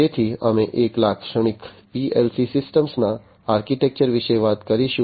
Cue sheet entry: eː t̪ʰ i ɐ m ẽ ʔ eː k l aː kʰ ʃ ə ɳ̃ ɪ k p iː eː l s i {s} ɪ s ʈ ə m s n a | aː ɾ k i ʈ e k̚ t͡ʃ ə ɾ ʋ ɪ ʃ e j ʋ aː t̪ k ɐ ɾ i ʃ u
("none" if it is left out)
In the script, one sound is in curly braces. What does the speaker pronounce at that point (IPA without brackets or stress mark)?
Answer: s